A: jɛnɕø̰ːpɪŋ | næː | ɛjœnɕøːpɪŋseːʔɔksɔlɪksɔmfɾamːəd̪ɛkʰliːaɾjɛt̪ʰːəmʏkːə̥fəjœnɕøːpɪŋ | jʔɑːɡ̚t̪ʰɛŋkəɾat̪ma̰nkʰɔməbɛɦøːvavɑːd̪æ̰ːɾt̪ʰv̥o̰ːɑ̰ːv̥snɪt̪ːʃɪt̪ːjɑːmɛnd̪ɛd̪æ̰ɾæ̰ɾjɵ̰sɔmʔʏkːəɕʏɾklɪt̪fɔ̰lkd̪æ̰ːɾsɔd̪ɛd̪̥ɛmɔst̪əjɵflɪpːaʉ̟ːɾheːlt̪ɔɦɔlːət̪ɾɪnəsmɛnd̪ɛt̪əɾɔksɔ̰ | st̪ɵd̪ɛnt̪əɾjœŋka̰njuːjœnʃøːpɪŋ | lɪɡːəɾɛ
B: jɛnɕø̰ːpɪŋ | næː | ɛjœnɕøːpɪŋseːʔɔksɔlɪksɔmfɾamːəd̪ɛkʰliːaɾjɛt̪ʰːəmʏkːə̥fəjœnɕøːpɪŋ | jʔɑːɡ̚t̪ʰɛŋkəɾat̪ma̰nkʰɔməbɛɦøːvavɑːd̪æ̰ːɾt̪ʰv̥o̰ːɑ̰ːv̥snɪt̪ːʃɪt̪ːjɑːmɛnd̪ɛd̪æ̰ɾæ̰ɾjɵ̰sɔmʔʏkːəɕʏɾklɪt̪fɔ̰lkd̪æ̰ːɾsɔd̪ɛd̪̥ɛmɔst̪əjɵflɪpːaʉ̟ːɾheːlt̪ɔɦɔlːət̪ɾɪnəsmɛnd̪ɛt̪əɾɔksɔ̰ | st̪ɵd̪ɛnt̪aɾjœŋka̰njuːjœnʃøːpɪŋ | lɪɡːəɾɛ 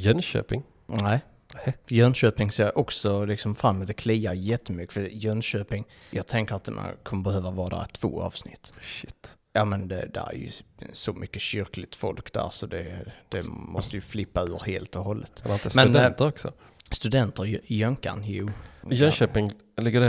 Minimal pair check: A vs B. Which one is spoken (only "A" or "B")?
A